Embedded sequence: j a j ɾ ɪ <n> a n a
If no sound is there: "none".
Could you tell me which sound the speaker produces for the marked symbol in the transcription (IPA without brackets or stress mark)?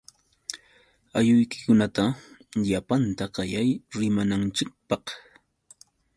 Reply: m